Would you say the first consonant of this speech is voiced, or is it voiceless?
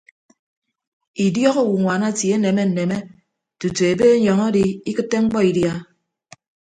voiced